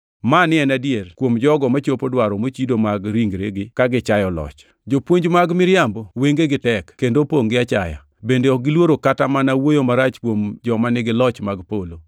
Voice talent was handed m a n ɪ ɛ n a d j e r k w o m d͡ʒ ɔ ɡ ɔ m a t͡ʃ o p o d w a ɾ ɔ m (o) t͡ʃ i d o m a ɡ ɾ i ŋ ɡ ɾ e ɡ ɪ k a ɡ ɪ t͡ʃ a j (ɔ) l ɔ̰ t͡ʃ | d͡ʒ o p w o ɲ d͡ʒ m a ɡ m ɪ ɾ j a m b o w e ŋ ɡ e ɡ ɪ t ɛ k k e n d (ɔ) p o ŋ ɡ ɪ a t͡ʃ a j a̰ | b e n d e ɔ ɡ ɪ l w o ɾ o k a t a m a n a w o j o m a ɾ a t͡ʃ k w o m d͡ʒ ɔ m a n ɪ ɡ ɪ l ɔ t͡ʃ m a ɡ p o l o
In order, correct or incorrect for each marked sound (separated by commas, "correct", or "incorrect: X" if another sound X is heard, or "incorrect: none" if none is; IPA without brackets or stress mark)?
correct, correct, incorrect: o